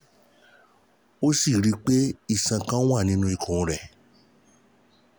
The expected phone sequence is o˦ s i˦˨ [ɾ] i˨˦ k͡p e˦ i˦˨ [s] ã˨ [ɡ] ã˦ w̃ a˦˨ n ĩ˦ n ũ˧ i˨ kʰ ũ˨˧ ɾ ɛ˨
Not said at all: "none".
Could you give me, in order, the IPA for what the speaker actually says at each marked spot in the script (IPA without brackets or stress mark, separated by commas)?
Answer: ɾ, s, k